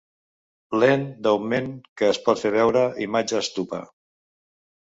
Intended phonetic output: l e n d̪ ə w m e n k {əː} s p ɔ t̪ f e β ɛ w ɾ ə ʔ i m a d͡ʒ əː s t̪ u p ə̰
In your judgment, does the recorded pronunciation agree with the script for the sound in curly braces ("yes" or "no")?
yes